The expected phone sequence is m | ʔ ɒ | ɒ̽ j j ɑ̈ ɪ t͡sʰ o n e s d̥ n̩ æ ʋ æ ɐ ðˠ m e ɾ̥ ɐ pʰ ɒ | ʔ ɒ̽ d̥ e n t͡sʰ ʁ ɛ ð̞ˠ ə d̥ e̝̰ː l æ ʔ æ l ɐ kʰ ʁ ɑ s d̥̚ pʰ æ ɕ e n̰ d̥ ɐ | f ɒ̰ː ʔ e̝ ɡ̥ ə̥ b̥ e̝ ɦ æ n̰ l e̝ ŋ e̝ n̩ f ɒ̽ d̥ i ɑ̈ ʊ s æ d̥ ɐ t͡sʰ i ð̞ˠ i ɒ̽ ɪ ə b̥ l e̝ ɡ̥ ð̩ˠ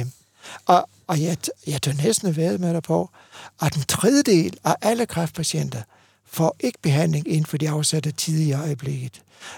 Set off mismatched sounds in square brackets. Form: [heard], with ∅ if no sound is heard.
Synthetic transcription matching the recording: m | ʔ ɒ | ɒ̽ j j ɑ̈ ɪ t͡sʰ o n e s d̥ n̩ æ ʋ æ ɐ ðˠ m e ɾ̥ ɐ pʰ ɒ | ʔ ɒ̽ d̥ e n t͡sʰ ʁ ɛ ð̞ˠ ə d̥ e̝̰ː l æ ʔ æ l [ə] kʰ ʁ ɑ [f] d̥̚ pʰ æ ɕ e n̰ d̥ ɐ | f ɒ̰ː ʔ e̝ ɡ̥ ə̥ b̥ e̝ ɦ æ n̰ l e̝ ŋ e̝ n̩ f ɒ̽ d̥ i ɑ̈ ʊ s æ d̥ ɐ t͡sʰ i ð̞ˠ i ɒ̽ ɪ ə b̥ l e̝ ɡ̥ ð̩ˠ